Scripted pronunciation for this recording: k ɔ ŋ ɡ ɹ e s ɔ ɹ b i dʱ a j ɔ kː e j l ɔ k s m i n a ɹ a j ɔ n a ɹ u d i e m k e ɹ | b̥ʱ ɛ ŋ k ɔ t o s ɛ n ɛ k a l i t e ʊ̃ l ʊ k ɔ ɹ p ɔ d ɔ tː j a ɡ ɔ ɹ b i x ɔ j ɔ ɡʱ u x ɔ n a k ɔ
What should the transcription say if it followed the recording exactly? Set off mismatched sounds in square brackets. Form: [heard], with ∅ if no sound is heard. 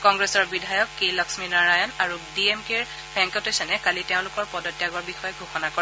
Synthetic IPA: k ɔ ŋ ɡ ɹ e s ɔ ɹ b i dʱ a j ɔ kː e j l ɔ k s m i n a ɹ a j ɔ n a ɹ u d i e m k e ɹ | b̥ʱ ɛ ŋ k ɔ t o s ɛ n ɛ k a l i t e ʊ̃ l ʊ k ɔ ɹ p ɔ d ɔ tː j a ɡ ɔ ɹ b i x ɔ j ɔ ɡʱ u x ɔ n a k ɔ